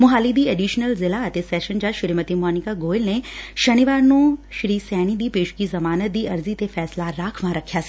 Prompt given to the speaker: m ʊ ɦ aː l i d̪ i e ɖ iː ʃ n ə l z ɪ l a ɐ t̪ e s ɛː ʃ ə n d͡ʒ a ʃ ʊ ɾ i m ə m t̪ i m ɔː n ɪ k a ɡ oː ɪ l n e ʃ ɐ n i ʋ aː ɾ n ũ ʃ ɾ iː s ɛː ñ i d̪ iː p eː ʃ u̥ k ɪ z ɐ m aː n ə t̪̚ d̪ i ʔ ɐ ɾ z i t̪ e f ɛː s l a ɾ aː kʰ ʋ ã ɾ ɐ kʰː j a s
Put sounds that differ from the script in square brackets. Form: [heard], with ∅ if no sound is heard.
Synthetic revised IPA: m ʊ ɦ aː l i d̪ i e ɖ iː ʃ n ə l z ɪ l a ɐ t̪ e s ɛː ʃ ə n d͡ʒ a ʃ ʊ ɾ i m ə [∅] t̪ i m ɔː n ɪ k a ɡ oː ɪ l n e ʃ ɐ n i ʋ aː ɾ n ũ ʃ ɾ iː s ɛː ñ i d̪ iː p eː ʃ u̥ k [i] z ɐ m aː n ə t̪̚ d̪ i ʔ ɐ ɾ z i t̪ e f ɛː s l a ɾ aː kʰ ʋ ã ɾ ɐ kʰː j a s